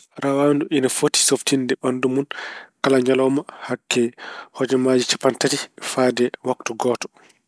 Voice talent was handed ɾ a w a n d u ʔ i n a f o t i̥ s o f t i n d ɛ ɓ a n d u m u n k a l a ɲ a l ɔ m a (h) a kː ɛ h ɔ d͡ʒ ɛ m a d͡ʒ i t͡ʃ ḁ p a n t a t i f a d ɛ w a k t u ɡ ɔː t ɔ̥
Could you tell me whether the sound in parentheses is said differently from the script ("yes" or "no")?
no